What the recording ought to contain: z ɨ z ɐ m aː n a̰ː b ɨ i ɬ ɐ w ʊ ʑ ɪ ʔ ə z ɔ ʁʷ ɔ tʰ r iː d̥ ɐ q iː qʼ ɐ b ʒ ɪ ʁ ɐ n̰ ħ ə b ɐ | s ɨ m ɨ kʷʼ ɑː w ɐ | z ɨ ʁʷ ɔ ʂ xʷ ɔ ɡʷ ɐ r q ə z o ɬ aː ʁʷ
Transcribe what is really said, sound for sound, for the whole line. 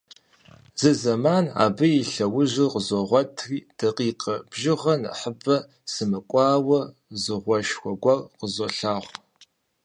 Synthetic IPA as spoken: z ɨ z ɐ m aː n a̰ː b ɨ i ɬ ɐ w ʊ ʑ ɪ q ə z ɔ ʁʷ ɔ tʰ r iː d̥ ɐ q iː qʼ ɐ b ʒ ɪ ʁ ɐ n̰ ħ ə b ɐ | s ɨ m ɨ kʷʼ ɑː w ɐ | z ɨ ʁʷ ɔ ʃ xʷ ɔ ɡʷ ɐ r q ə z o ɬ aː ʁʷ